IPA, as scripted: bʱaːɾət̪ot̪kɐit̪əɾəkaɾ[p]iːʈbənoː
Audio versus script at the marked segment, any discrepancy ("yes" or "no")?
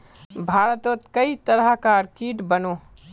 yes